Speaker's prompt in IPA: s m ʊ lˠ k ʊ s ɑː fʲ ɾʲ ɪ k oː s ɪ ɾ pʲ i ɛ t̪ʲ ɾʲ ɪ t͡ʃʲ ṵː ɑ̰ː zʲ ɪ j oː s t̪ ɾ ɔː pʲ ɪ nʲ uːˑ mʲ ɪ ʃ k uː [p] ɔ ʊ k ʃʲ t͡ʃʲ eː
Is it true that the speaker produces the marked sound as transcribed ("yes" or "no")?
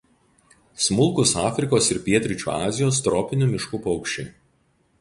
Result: yes